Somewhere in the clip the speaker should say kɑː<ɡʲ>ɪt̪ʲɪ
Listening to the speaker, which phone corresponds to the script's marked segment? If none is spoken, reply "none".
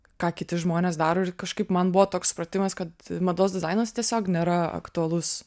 kʲ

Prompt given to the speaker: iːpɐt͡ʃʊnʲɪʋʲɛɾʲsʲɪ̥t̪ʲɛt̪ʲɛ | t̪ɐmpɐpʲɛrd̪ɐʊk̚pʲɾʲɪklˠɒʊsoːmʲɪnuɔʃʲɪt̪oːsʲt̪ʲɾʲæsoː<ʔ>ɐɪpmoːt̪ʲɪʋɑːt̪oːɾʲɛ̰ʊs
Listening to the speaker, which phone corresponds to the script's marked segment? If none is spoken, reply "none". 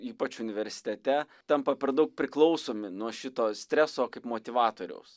k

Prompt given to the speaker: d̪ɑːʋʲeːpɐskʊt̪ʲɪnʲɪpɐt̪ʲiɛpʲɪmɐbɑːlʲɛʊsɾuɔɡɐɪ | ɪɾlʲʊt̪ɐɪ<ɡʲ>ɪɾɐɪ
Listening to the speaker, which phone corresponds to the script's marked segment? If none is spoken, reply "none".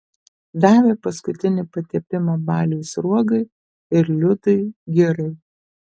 ɡʲ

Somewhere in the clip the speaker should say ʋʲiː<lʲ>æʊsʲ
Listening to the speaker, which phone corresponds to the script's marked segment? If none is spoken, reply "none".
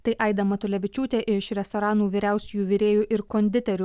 ɾʲ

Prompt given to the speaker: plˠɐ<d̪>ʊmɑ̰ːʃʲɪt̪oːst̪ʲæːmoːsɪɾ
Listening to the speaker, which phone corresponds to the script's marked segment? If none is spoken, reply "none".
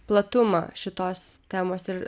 t̪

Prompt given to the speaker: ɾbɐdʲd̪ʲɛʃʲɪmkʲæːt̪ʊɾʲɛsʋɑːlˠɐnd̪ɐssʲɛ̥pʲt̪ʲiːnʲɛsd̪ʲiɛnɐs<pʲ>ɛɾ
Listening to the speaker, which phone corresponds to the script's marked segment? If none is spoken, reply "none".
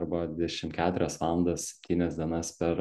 pʲ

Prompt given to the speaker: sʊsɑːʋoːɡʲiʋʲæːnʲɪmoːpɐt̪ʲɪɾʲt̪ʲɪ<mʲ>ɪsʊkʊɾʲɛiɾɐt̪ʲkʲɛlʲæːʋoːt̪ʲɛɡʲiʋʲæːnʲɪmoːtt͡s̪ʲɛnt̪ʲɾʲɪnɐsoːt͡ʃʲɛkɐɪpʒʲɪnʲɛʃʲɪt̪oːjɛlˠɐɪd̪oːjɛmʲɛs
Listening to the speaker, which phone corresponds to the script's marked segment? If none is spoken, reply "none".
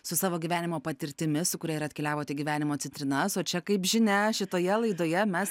mʲ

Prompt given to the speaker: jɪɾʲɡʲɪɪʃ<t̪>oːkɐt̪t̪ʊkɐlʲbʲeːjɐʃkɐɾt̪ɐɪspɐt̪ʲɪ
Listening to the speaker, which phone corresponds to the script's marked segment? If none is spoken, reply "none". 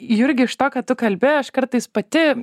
t̪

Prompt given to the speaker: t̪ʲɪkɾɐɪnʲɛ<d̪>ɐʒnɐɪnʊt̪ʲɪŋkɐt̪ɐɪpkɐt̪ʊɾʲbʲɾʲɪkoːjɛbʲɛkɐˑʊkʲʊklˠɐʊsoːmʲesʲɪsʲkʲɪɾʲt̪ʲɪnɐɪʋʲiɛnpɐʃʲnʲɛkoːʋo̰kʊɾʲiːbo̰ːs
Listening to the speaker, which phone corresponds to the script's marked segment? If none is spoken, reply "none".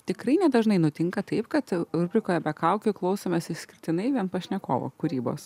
d̪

